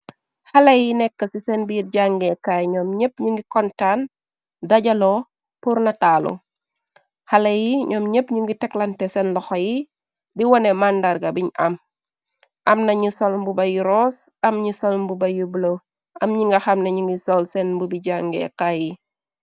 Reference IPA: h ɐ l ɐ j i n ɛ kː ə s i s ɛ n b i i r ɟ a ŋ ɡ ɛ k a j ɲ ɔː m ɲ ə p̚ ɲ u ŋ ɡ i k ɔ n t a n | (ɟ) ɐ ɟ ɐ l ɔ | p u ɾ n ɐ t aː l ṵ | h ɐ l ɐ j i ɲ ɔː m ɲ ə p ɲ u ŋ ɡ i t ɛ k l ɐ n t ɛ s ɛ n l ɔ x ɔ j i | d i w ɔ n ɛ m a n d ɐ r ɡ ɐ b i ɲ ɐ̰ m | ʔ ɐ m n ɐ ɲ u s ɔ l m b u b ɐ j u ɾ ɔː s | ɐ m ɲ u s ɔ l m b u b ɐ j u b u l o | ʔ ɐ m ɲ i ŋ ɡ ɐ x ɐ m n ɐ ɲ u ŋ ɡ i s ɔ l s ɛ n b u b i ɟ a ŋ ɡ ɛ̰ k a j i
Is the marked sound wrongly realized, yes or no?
yes